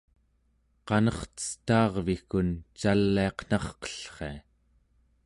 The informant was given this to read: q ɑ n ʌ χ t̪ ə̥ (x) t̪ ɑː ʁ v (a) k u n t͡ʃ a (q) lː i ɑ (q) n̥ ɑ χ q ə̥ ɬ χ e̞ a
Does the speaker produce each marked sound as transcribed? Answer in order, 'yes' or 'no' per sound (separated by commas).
no, no, no, yes